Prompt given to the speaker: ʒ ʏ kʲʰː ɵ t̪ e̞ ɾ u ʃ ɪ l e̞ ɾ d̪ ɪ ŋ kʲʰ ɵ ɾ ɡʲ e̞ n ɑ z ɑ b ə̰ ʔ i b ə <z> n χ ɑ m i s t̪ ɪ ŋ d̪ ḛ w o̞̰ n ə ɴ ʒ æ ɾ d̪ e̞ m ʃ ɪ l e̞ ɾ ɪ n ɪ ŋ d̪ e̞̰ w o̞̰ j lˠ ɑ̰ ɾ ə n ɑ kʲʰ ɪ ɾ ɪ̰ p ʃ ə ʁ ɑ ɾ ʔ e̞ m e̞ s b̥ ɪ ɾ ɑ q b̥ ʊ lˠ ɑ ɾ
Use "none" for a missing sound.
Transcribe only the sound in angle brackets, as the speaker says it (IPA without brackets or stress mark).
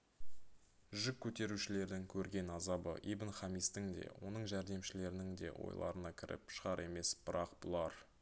none